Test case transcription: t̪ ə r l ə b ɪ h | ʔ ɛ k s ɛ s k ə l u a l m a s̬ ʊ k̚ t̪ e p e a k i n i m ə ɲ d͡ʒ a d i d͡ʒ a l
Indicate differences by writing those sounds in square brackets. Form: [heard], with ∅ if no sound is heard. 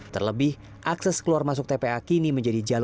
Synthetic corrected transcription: t̪ ə r l ə b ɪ h | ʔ [a] k s ɛ s k ə l u a [r] m a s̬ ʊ k̚ t̪ e p e a k i n i m ə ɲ d͡ʒ a d i d͡ʒ a l